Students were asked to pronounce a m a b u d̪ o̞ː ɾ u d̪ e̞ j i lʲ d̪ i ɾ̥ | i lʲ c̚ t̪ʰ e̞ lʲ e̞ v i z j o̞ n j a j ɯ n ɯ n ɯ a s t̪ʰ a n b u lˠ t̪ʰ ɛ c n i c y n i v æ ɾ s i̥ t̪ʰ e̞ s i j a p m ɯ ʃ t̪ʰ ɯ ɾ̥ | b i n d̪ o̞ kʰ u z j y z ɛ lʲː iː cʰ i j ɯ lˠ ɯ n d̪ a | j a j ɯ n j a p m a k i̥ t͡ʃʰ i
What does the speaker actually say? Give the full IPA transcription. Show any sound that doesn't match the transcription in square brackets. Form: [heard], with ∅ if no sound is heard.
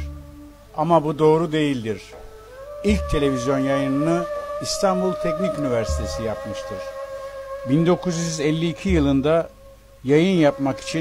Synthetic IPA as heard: a m a b u d̪ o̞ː ɾ u d̪ e̞ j i lʲ d̪ i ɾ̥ | i lʲ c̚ t̪ʰ e̞ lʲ e̞ v i z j o̞ n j a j ɯ n ɯ n ɯ [i] s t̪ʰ a n b u lˠ t̪ʰ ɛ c n i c y n i v æ ɾ s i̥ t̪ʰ e̞ s i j a p m ɯ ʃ t̪ʰ ɯ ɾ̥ | b i n d̪ o̞ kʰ u z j y z ɛ lʲː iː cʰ i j ɯ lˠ ɯ n d̪ a | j a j ɯ n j a p m a k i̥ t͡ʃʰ i